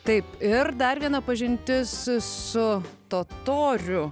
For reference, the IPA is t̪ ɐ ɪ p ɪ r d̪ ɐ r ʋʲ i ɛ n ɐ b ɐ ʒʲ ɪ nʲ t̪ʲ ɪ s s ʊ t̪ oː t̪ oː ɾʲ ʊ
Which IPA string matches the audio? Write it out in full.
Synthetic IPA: t̪ ɐ ɪ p ɪ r d̪ ɐ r ʋʲ i ɛ n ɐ p ɐ ʒʲ ɪ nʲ t̪ʲ ɪ s s ʊ t̪ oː t̪ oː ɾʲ ʊ